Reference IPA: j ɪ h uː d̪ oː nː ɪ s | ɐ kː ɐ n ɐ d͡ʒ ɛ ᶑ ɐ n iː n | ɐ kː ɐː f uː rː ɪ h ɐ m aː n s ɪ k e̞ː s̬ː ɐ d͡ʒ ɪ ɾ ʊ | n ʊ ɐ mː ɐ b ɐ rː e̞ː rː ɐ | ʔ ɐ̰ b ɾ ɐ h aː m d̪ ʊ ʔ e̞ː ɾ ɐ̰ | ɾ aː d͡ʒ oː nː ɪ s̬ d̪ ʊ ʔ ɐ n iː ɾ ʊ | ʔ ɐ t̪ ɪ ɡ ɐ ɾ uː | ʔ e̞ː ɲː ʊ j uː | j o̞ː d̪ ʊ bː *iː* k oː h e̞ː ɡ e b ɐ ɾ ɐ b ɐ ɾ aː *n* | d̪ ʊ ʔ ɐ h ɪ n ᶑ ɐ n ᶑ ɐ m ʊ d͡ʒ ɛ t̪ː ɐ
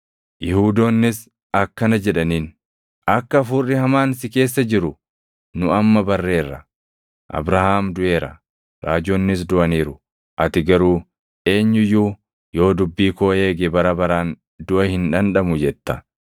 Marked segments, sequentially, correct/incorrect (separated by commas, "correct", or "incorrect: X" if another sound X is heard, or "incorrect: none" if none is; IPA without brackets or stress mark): correct, correct